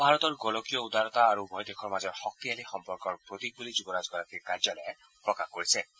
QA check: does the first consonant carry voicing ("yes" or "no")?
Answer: yes